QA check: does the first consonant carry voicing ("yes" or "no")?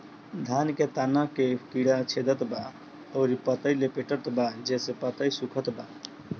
yes